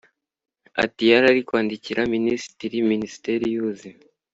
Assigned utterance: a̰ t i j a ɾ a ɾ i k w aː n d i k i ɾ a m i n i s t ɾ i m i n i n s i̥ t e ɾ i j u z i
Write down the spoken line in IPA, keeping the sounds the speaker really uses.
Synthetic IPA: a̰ t i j a ɾ a ɾ i k w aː n d i c i ɾ a m i n i s t ɾ i m i n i s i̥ t e ɾ i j u z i